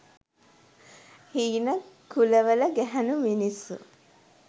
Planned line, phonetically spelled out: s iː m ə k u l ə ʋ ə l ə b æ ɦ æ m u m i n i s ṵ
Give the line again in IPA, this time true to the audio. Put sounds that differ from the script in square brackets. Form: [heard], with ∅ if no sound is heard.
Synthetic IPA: [h] iː [n] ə k u l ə ʋ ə l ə [ɡ] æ ɦ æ [n] u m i n i s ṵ